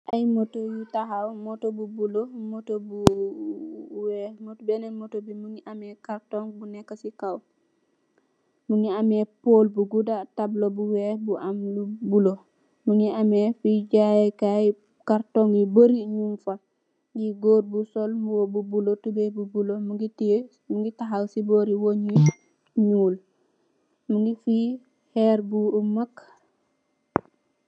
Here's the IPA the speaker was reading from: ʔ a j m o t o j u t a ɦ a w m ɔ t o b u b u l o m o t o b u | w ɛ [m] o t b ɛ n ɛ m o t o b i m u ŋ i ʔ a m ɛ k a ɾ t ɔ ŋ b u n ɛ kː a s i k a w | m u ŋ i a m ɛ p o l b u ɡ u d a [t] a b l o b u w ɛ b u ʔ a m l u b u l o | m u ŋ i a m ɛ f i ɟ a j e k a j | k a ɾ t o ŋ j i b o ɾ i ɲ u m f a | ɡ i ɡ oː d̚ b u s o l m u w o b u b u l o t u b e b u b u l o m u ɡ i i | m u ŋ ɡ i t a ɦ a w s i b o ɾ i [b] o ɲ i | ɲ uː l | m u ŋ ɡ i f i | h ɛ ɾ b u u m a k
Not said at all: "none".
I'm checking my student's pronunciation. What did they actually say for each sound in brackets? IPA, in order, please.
m, t, w

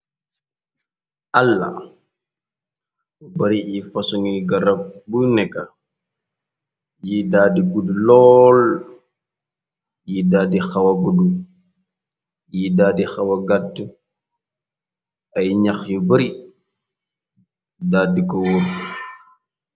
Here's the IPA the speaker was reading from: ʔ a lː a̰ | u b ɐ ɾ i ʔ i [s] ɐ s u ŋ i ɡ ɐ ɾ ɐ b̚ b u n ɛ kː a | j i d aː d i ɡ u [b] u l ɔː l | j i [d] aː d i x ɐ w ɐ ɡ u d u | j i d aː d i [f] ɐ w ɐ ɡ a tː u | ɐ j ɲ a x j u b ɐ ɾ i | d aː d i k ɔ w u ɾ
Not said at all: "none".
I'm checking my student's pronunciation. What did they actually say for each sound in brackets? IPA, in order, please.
f, d, d, x

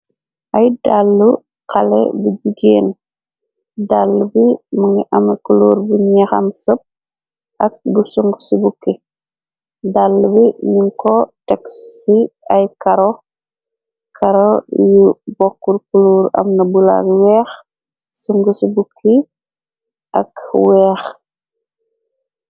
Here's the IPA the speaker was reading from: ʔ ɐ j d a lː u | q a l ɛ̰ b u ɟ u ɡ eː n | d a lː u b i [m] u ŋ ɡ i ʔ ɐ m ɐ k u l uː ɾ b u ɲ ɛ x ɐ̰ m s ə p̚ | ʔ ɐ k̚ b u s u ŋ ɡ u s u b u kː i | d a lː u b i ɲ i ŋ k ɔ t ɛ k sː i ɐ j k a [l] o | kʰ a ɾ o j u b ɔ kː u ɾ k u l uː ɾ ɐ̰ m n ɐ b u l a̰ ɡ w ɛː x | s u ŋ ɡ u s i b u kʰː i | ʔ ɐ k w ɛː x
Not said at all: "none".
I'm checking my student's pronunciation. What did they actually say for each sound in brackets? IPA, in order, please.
m, ɾ

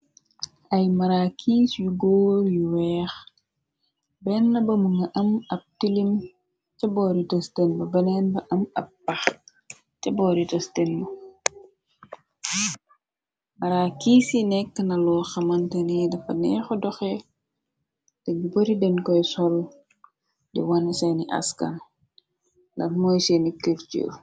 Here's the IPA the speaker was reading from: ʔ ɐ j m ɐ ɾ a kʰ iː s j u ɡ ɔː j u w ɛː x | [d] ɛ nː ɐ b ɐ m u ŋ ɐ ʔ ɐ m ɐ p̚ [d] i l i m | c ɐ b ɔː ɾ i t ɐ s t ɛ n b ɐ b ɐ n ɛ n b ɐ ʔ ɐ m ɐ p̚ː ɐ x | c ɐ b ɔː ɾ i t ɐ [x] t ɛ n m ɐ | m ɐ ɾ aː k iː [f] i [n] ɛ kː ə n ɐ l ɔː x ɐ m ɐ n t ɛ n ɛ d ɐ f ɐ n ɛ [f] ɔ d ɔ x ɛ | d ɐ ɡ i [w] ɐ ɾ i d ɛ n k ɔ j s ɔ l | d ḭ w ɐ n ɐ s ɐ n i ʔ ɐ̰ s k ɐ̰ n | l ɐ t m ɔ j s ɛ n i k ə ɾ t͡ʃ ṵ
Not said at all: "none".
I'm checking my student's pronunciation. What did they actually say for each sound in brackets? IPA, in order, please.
b, t, s, s, n, x, b

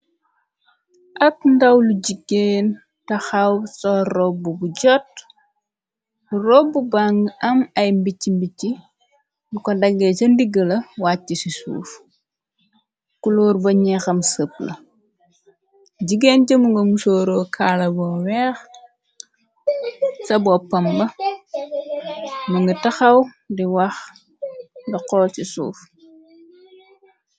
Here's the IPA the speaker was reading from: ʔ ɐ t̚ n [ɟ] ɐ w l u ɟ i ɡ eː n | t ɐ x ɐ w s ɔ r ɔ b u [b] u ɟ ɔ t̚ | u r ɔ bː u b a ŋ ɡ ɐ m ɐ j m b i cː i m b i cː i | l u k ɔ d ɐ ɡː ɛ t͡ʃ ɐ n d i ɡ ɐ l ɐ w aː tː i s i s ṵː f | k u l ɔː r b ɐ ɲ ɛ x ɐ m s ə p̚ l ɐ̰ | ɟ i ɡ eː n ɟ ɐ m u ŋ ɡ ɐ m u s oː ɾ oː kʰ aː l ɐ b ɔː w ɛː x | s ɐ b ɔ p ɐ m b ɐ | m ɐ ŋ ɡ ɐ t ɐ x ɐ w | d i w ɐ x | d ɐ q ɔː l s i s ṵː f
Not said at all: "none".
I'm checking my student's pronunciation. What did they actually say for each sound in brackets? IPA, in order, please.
d, b

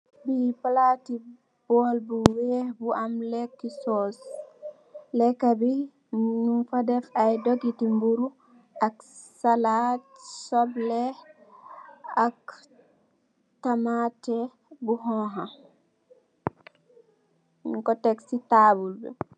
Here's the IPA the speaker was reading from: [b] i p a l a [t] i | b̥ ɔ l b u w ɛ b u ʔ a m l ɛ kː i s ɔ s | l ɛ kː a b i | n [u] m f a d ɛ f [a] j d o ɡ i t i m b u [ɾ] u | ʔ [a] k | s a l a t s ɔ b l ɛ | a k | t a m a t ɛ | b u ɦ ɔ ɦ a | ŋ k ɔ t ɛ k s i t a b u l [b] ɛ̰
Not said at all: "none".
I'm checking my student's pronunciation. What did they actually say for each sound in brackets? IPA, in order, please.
b, t, u, a, ɾ, a, b

